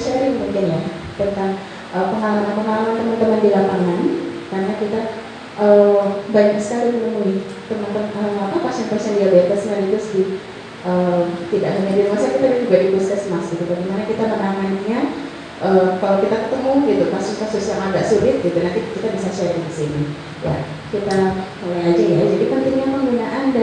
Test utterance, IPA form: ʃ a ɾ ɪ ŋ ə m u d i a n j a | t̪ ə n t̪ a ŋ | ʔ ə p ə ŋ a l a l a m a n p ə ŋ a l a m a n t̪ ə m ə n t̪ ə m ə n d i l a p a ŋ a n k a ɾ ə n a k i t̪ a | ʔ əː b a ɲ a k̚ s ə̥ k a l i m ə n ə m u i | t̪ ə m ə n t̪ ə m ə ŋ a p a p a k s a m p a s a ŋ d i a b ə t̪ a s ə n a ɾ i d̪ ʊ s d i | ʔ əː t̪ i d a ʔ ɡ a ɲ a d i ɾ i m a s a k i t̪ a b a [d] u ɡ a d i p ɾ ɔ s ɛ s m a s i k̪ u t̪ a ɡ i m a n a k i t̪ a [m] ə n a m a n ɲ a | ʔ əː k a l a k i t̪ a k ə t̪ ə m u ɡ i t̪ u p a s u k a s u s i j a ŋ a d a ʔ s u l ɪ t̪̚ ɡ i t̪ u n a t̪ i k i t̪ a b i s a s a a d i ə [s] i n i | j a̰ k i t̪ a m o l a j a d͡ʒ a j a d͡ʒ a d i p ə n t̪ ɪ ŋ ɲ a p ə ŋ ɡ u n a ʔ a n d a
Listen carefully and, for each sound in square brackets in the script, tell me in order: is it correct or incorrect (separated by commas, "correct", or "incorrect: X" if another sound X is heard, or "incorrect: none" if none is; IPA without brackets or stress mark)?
incorrect: d͡ʒ, correct, correct